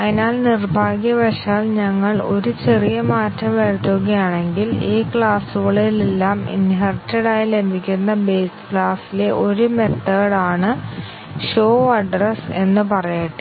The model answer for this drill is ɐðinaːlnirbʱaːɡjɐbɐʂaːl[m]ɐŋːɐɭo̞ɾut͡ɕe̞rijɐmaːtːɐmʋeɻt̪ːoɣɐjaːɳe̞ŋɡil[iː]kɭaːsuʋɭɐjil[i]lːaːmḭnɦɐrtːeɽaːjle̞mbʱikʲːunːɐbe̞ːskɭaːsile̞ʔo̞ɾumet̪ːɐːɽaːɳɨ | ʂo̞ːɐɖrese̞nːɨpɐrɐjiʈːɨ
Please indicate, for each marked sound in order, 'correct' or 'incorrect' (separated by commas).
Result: incorrect, correct, incorrect